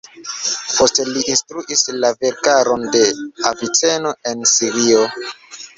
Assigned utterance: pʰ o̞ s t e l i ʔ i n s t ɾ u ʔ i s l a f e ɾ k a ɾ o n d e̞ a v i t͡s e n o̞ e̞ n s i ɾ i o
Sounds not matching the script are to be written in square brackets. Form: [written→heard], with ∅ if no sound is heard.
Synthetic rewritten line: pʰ o̞ s t e l i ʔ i n s t ɾ u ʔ i s l a [f→v] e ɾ k a ɾ o n d e̞ a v i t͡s e n o̞ e̞ n s i ɾ i o

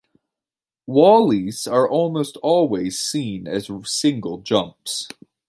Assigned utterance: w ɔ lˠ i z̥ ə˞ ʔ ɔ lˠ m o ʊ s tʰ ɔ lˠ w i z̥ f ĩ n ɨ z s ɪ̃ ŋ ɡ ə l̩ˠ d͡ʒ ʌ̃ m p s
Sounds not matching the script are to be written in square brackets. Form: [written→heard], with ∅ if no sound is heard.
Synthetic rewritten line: w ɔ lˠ i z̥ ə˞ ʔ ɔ lˠ m o ʊ s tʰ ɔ lˠ w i z̥ [f→s] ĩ n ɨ z s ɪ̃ ŋ ɡ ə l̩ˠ d͡ʒ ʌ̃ m p s

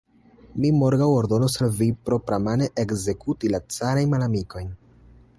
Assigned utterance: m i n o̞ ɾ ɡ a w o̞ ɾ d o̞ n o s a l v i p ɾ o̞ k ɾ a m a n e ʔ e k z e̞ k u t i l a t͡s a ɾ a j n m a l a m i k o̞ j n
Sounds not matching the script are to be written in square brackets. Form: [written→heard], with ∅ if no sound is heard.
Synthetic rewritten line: m i [n→m] o̞ ɾ ɡ a w o̞ ɾ d o̞ n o s a l v i p ɾ o̞ [k→p] ɾ a m a n e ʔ e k z e̞ k u t i l a t͡s a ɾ a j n m a l a m i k o̞ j n

